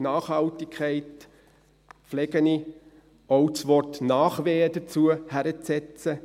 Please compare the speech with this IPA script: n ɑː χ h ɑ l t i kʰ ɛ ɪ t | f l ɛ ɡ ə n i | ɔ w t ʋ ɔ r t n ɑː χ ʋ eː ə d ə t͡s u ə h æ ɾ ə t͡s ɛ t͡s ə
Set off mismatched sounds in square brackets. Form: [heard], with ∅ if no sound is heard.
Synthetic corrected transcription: n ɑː χ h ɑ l t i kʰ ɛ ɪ t | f l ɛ ɡ ə n i | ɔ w [t͡s] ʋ ɔ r t n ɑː χ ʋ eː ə d ə t͡s u ə h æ ɾ ə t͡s ɛ t͡s ə